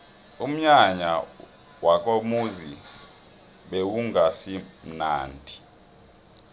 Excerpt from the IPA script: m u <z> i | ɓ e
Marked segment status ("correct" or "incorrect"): correct